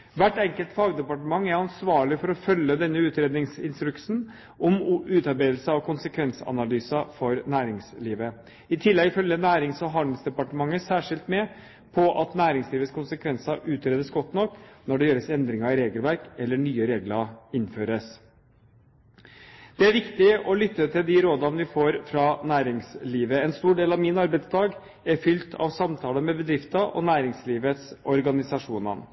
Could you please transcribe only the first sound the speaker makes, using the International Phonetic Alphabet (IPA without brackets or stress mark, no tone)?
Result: ʋ